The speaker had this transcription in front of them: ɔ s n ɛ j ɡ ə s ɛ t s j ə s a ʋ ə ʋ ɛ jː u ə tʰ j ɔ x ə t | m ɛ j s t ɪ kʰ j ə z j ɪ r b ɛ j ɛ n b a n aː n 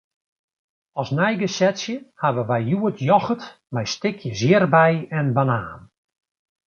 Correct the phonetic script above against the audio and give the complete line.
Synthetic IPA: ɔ s n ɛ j ɡ ə s ɛ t s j ə h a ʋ ə ʋ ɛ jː u ə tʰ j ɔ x ə t | m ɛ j s t ɪ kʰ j ə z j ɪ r b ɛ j ɛ n b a n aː n

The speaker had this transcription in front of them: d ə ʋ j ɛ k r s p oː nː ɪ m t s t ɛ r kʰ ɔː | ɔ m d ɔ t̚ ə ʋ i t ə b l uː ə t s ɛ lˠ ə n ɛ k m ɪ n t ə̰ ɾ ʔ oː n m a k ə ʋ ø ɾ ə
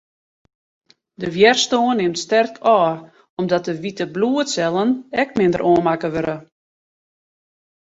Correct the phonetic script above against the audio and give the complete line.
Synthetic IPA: d ə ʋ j ɛ r s t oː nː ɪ m t s t ɛ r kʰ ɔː | ɔ m d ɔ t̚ ə ʋ i t ə b l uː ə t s ɛ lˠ ə n ɛ k m ɪ n d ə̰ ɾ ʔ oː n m a k ə ʋ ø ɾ ə

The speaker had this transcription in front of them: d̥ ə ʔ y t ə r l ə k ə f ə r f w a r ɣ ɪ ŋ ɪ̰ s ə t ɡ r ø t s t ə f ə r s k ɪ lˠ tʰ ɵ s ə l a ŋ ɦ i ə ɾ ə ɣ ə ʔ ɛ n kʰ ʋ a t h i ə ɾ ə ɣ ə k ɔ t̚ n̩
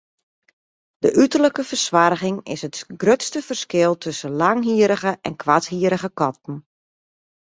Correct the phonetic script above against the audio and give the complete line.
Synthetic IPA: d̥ ə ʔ y t ə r l ə k ə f ə r s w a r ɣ ɪ ŋ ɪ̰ s ə t ɡ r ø t s t ə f ə r s k ɪ lˠ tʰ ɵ s ə l a ŋ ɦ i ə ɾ ə ɣ ə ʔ ɛ n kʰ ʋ a t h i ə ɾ ə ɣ ə k ɔ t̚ n̩

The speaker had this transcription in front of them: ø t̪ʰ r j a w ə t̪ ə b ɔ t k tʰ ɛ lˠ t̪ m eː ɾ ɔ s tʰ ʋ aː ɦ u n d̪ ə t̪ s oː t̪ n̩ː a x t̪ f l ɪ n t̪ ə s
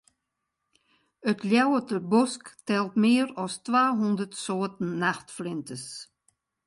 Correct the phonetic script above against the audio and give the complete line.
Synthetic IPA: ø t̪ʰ l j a w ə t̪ ə b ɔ s k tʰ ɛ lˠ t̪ m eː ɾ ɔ s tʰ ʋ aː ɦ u n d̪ ə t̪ s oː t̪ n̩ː a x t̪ f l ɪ n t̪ ə s

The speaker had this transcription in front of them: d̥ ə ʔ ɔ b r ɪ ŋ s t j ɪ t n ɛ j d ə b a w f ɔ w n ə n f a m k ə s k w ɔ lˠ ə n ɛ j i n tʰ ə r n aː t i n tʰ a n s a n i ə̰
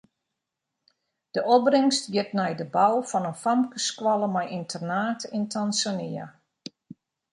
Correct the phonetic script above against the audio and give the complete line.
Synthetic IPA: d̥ ə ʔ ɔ b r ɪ ŋ s t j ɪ t n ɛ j d ə b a w f ɔ n ə n f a m k ə s k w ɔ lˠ ə m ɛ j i n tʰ ə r n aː t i n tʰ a n s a n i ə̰

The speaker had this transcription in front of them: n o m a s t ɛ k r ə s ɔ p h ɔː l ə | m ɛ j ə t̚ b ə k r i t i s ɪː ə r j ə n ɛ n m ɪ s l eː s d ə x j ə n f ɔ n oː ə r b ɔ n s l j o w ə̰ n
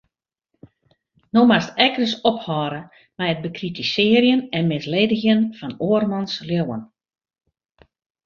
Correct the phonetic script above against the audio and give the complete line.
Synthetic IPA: n o m a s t ɛ k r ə s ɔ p h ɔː ɾ ə | m ɛ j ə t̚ b ə k r i t i s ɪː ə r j ə n ɛ n m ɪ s l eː d ə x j ə n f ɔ n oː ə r m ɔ n s l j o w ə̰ n

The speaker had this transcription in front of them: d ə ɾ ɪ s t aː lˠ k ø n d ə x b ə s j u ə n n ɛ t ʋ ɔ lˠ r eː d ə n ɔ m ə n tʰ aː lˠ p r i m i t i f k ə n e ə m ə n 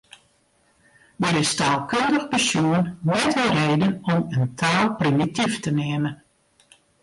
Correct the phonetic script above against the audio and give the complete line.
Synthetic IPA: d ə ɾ ɪ s t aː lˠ k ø n d ə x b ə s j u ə n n ɛ t ʋ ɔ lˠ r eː d ə n ɔ m ə n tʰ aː lˠ p r i m i t i f t ə n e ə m ə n

